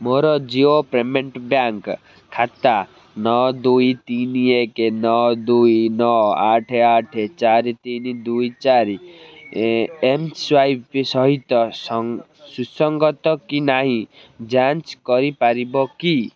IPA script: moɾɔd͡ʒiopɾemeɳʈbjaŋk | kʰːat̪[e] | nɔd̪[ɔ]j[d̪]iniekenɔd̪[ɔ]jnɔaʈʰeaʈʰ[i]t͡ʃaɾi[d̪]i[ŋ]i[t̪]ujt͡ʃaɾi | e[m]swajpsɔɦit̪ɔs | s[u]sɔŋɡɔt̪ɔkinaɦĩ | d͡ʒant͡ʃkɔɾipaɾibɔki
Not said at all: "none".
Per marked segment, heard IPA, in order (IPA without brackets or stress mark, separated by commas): a, u, t̪, u, e, t̪, n, d̪, m, u